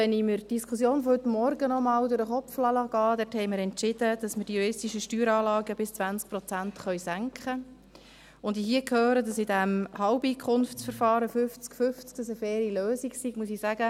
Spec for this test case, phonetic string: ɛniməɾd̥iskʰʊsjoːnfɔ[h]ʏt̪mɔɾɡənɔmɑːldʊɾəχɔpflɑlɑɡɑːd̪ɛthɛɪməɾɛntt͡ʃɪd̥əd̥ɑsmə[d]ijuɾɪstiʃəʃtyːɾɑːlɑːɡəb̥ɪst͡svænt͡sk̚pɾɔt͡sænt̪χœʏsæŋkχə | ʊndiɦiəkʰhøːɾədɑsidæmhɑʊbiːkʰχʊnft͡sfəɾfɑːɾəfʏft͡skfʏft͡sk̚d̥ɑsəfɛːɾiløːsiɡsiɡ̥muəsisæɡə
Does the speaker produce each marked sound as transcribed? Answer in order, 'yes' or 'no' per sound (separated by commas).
yes, yes